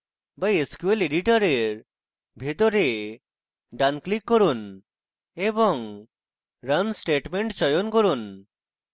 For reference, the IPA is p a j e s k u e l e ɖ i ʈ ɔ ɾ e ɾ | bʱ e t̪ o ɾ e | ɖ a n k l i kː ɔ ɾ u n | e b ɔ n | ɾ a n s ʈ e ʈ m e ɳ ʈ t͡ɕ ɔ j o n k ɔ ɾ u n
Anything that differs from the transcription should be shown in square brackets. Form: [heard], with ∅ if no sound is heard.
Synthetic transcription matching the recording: [b] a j e s k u e l e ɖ i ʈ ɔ ɾ e ɾ | bʱ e t̪ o ɾ e | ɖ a n k l i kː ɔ ɾ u n | e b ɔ [ŋ] | ɾ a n s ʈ e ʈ m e ɳ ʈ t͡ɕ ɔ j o n k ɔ ɾ u n